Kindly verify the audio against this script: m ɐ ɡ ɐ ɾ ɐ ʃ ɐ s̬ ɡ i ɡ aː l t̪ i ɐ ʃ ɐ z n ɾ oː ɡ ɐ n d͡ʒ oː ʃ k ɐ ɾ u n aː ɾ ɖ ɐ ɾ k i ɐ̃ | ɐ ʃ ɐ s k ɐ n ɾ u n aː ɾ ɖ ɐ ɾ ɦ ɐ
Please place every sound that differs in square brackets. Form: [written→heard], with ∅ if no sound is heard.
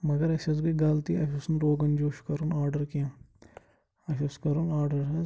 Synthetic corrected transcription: m ɐ ɡ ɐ ɾ ɐ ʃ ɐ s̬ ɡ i ɡ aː l t̪ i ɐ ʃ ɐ [z→s] n ɾ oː ɡ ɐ n d͡ʒ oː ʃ k ɐ ɾ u n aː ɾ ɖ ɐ ɾ k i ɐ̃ | ɐ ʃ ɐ s k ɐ [n→∅] ɾ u n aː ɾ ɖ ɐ ɾ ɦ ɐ